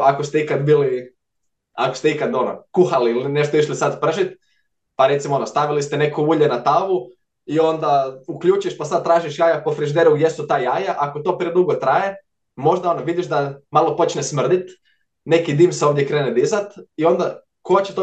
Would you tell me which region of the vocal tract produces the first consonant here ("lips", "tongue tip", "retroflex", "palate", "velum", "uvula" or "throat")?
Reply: velum